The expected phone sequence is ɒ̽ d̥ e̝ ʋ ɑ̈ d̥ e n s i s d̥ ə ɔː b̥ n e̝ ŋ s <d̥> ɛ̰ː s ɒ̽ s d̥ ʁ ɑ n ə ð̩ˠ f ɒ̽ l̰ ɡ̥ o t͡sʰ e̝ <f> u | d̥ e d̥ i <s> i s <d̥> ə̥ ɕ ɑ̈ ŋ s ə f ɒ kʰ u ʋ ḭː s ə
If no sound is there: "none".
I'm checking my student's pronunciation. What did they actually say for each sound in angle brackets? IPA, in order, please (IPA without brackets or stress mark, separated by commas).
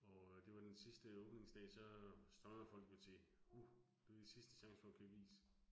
d̥, h, s, d̥